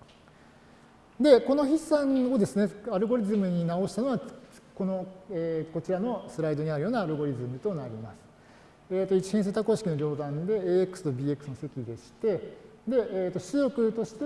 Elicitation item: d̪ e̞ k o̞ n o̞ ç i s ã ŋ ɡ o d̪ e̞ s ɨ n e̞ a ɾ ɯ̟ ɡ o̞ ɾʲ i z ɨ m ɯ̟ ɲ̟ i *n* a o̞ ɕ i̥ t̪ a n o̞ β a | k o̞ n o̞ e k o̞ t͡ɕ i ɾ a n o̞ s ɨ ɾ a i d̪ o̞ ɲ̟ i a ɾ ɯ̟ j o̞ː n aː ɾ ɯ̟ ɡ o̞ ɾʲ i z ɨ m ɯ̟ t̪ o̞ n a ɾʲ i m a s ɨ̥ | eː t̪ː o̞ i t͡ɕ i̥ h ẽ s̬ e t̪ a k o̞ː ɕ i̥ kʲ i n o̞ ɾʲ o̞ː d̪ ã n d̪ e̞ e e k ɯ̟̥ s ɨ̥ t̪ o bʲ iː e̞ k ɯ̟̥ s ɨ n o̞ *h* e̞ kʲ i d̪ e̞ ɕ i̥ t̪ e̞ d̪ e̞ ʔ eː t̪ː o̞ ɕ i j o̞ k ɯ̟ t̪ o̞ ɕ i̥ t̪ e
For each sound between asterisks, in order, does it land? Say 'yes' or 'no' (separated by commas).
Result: yes, no